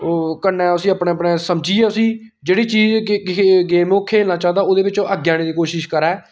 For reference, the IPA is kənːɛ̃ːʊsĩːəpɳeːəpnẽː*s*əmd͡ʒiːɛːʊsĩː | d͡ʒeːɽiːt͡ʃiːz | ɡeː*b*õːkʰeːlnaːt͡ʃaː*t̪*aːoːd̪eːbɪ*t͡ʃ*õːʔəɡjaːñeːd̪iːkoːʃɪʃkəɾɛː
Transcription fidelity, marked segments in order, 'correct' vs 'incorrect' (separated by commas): correct, incorrect, incorrect, correct